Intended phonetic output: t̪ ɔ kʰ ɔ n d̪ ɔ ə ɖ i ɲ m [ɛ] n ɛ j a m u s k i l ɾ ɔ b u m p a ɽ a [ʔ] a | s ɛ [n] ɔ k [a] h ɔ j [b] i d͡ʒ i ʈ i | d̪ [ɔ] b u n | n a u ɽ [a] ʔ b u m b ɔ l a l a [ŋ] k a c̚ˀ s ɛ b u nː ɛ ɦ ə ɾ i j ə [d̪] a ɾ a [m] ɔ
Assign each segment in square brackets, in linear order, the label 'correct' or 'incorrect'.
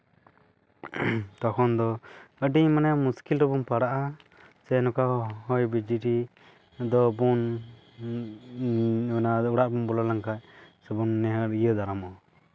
incorrect: a, correct, correct, correct, correct, correct, correct, correct, correct, correct

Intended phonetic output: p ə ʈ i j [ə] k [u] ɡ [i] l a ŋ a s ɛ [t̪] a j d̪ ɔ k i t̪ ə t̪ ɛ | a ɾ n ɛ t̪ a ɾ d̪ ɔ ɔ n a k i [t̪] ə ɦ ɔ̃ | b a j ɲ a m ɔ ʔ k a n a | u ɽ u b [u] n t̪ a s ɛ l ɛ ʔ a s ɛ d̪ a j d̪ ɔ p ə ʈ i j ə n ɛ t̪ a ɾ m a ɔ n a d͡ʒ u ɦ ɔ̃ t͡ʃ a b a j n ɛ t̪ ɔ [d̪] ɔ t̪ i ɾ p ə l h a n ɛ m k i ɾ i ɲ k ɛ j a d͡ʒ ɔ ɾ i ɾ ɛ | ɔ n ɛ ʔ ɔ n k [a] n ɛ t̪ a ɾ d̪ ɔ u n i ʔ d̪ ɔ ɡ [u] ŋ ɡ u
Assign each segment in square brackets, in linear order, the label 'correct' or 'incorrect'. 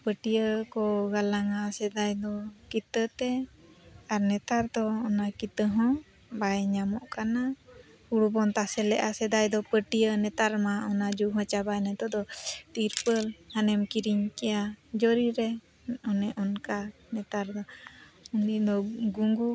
correct, incorrect: ɔ, incorrect: a, incorrect: d̪, correct, incorrect: ɔ, correct, correct, correct

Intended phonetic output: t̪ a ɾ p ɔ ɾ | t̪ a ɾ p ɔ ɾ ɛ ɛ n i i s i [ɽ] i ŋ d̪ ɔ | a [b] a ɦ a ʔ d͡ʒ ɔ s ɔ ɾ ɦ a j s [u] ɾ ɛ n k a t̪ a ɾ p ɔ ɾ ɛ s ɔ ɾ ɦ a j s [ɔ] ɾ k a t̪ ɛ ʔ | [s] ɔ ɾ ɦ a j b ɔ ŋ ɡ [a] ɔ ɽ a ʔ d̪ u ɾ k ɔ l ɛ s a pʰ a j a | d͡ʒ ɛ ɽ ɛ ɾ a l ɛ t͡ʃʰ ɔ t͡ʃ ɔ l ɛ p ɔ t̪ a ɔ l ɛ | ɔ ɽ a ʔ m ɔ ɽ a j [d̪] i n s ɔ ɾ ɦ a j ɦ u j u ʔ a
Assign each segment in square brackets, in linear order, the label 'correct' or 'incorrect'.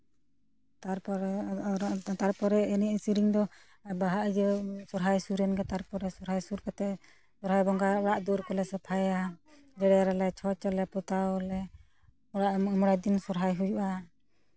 incorrect: ɾ, correct, correct, incorrect: u, correct, correct, correct

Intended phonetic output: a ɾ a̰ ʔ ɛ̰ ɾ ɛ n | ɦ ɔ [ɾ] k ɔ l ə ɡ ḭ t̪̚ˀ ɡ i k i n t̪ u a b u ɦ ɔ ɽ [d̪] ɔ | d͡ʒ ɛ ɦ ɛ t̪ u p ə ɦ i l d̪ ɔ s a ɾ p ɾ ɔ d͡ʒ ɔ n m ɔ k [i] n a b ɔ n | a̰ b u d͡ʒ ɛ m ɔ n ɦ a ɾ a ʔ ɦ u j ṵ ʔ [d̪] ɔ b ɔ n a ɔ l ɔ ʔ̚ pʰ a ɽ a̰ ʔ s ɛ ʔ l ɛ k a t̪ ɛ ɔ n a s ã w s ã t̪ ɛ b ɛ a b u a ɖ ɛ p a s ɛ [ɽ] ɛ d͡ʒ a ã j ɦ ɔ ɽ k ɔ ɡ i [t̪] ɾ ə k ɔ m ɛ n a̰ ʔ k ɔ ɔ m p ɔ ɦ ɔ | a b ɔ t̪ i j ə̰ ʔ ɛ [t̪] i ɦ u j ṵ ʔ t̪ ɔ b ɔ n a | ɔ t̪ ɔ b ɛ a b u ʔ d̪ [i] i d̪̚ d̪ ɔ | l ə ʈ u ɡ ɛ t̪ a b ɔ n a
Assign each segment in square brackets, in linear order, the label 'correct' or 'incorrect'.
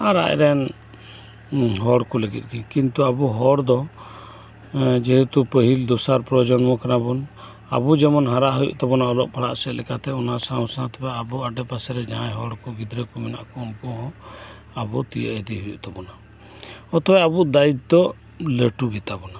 incorrect: ɽ, correct, incorrect: a, incorrect: t̪, incorrect: ɾ, incorrect: d̪, incorrect: d̪, incorrect: a

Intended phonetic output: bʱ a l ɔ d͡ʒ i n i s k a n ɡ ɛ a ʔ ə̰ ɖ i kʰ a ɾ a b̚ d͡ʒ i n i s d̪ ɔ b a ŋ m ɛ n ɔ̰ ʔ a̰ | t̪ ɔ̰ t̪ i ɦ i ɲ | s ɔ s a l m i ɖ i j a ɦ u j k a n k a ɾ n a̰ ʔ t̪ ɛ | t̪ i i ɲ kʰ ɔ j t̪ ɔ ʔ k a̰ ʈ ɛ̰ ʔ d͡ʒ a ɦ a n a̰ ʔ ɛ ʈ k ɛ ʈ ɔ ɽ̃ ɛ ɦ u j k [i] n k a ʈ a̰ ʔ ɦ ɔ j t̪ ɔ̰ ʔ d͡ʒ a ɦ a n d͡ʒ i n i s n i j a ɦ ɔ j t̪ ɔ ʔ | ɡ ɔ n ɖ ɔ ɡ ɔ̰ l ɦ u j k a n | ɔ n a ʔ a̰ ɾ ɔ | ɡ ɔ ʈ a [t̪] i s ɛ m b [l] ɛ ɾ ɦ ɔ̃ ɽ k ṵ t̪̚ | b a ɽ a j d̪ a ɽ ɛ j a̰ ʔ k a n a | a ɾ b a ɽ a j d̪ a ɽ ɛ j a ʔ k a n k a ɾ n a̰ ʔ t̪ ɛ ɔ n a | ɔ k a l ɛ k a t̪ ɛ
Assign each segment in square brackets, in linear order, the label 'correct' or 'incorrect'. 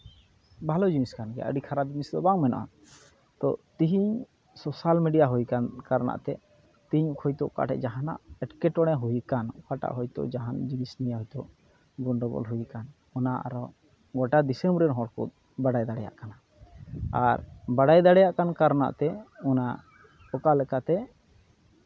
incorrect: a, incorrect: d̪, incorrect: ɾ

